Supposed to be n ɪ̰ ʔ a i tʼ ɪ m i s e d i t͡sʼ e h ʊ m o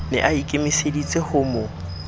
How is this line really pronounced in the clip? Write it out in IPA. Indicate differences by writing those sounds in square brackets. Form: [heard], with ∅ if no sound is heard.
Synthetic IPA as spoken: n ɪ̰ ʔ a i [kʼ] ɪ m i s e d i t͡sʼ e h ʊ m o